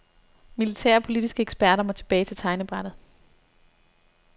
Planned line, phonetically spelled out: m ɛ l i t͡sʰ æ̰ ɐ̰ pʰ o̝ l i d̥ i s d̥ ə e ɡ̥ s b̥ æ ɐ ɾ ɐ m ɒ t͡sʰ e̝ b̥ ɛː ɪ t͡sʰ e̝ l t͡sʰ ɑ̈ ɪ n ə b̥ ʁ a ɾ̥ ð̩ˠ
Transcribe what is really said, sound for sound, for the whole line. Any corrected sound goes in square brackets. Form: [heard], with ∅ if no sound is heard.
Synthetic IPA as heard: m [i] l i t͡sʰ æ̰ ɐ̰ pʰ o̝ l i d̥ i s [ɡ̥] ə e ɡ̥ s b̥ æ ɐ ɾ ɐ m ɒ t͡sʰ e̝ b̥ ɛː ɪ t͡sʰ e̝ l t͡sʰ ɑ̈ ɪ n ə b̥ ʁ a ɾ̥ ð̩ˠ